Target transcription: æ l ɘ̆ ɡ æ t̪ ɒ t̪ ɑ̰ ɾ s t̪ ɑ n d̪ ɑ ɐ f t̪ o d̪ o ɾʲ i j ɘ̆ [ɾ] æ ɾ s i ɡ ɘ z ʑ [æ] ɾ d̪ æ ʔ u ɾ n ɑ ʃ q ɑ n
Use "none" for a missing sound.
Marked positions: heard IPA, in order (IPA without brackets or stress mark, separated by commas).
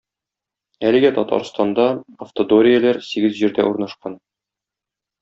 l, i